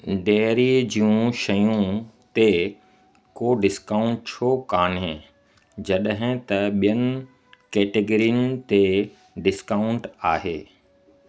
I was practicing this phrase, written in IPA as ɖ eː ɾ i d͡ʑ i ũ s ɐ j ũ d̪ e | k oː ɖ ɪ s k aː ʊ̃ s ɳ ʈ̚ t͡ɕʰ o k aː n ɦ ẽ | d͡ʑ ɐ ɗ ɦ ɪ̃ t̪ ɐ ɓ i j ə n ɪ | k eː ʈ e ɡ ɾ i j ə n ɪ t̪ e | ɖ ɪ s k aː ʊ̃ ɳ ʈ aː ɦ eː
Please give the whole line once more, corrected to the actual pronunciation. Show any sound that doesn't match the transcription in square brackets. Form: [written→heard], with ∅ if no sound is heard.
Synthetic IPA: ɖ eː ɾ i d͡ʑ i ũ [s→ʃ] ɐ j ũ [d̪→t̪] e | k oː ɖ ɪ s k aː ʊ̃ [s→∅] ɳ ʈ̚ t͡ɕʰ o k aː n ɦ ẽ | d͡ʑ ɐ ɗ ɦ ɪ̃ t̪ ɐ ɓ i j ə n ɪ | k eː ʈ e ɡ ɾ i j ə n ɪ t̪ e | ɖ ɪ s k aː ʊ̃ ɳ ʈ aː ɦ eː